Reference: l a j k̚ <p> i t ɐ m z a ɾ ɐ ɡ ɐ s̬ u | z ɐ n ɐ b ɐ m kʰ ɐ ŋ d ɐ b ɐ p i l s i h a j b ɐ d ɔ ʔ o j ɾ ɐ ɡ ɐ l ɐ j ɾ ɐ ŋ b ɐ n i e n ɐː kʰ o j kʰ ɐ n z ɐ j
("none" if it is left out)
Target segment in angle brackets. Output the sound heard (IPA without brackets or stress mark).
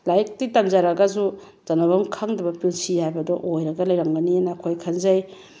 t